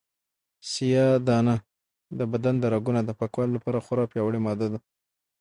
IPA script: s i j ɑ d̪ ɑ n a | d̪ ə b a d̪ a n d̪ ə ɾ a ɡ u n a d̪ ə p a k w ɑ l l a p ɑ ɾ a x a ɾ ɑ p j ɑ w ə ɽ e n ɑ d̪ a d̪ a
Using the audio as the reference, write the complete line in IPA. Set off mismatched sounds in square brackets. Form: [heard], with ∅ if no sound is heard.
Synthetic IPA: s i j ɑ d̪ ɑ n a | d̪ ə b a d̪ a n d̪ ə ɾ a ɡ u n a d̪ ə p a k w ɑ l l a p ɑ ɾ a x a ɾ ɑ p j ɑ w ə ɽ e [m] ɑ d̪ a d̪ a